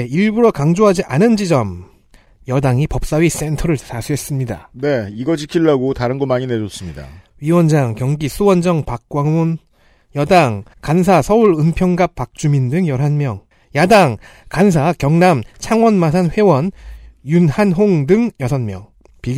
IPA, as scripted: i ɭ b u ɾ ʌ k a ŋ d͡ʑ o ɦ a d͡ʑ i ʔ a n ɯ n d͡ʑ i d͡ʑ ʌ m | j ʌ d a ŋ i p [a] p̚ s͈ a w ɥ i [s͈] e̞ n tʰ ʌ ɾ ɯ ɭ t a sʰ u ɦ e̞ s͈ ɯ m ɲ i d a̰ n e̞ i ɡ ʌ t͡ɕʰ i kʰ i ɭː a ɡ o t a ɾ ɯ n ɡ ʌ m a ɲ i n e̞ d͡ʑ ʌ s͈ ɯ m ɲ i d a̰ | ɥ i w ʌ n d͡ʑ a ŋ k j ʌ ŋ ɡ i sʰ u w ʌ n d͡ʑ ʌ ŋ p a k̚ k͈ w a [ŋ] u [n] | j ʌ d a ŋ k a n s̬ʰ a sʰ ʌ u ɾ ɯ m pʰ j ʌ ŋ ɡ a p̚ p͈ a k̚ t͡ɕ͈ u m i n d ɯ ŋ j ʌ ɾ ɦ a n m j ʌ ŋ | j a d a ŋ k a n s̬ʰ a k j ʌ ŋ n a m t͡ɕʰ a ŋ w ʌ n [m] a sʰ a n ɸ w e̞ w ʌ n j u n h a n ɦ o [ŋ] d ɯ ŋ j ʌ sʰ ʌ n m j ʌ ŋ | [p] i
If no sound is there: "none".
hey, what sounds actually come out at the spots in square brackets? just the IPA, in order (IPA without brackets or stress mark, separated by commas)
ʌ, s͈, ŋ, n, m, ŋ, p